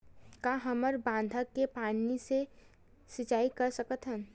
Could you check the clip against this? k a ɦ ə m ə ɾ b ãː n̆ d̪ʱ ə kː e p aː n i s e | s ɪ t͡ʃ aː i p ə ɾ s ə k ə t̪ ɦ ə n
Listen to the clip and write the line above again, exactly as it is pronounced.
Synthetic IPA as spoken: k a ɦ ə m ə ɾ b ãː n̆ d̪ʱ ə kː e p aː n i s e | s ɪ t͡ʃ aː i k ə ɾ s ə k ə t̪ ɦ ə n